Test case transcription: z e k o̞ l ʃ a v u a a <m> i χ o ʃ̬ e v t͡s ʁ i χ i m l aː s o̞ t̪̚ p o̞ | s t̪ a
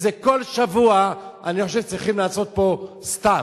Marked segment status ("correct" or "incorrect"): incorrect